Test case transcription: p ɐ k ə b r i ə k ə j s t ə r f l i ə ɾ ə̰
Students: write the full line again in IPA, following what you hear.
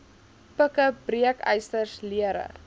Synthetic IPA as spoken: p ə k ə b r i ə k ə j s t ə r s l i ə ɾ ə̰